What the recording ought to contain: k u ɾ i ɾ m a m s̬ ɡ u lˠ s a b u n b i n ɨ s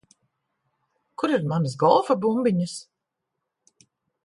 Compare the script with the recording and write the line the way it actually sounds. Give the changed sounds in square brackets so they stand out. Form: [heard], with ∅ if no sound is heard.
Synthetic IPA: k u ɾ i ɾ m a [n] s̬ ɡ [ɔ] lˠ [f] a b u [m] b i [ɲ] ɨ s